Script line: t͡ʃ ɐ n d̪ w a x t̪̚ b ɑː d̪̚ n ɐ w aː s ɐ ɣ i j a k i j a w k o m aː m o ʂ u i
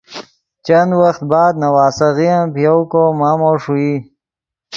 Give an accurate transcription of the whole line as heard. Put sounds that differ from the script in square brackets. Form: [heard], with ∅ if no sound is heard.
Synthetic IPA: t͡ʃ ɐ n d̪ w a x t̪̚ b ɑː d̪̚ n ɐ w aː s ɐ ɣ i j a [p] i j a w k o m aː m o ʂ u i